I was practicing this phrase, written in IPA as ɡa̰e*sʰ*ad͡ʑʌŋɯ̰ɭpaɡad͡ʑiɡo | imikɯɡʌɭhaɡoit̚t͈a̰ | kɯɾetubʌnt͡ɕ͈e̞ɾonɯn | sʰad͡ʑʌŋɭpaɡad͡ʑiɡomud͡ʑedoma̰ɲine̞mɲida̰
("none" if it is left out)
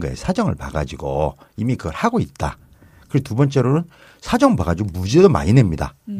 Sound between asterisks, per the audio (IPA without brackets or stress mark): sʰ